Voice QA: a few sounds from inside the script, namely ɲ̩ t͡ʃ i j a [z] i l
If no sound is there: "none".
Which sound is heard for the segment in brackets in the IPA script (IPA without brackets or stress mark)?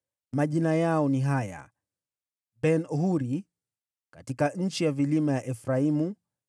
v